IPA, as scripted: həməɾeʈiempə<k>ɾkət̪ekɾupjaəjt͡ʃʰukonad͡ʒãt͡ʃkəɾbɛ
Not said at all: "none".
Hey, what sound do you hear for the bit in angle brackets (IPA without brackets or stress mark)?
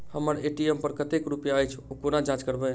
none